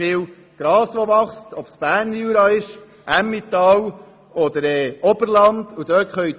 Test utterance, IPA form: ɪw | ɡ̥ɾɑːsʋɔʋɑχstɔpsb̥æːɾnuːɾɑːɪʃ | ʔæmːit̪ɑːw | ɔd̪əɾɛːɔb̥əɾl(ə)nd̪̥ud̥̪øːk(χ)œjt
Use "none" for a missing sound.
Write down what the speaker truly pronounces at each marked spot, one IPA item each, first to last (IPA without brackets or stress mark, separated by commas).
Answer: ɑ, χ